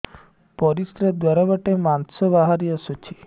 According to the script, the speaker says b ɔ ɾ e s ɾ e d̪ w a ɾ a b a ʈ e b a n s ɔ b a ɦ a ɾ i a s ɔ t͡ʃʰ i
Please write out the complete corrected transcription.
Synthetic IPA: p ɔ ɾ i s ɾ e d̪ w a ɾ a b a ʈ e m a n s ɔ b a ɦ a ɾ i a s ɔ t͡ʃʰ i